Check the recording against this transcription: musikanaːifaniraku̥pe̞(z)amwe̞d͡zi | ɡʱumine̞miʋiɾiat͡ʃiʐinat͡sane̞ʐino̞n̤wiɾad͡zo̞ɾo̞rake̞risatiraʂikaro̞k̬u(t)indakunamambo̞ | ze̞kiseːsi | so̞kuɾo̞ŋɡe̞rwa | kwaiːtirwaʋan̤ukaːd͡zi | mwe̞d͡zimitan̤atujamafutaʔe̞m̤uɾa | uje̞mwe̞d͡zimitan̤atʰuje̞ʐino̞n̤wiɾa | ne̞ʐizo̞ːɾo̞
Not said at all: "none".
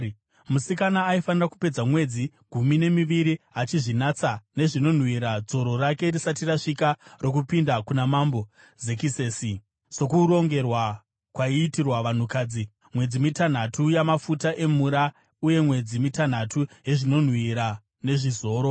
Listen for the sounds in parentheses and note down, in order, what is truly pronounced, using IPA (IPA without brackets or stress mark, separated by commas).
d͡z, p